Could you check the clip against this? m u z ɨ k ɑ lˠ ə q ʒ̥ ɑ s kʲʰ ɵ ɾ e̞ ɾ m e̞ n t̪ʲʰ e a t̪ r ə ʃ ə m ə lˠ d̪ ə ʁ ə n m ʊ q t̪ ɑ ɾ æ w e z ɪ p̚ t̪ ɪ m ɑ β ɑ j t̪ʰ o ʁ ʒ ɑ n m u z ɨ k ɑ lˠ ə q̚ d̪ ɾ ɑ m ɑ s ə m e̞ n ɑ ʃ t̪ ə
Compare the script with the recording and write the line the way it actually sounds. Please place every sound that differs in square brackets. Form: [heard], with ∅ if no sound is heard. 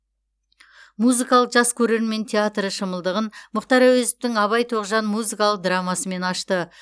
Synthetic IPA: m u z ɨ k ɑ lˠ ə q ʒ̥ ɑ s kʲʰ ɵ ɾ e̞ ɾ m e̞ n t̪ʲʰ e a t̪ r ə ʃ ə m ə lˠ d̪ ə ʁ ə n m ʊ q t̪ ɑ ɾ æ w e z ɪ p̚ t̪ ɪ [ŋ] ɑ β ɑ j t̪ʰ o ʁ ʒ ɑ n m u z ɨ k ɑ lˠ ə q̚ d̪ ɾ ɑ m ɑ s ə m e̞ n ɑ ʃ t̪ ə